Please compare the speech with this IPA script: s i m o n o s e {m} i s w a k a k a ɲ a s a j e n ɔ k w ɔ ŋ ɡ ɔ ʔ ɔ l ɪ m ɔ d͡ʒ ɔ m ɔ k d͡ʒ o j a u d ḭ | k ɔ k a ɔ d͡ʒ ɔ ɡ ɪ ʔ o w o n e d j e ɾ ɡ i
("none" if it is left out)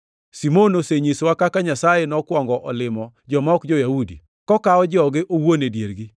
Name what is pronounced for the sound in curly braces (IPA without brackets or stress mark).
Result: ɲ